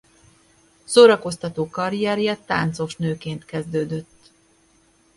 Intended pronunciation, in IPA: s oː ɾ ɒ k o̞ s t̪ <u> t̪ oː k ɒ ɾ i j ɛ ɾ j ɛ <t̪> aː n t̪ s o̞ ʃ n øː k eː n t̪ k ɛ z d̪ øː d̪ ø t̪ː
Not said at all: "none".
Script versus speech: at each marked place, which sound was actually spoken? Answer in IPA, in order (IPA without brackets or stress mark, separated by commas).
ɒ, t̪